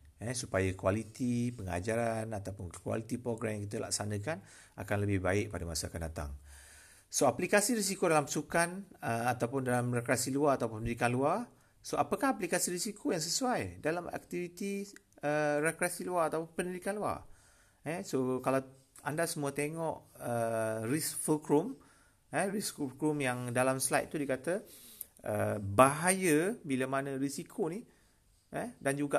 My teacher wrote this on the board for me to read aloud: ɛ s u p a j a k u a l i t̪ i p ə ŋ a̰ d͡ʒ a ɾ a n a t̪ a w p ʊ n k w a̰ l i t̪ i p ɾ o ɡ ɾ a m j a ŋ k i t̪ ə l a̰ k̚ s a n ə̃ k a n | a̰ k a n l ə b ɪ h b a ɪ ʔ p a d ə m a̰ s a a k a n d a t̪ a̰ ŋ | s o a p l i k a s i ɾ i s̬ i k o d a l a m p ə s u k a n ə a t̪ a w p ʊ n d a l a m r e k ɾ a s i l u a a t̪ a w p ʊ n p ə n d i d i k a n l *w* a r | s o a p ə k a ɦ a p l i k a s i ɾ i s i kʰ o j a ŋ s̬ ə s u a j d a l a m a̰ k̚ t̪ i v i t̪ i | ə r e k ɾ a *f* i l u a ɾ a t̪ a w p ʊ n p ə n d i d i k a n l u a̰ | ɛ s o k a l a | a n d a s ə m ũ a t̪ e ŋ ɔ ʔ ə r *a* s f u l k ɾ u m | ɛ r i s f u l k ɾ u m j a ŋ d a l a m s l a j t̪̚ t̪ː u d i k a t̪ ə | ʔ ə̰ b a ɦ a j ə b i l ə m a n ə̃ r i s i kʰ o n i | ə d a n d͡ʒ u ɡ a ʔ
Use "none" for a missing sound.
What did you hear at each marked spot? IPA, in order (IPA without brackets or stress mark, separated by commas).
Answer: u, s, i